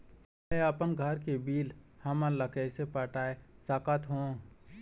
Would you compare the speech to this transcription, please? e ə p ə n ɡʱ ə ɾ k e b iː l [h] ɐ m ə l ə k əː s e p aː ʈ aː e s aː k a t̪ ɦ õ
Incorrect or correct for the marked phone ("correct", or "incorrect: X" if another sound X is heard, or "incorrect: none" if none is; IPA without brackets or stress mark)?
correct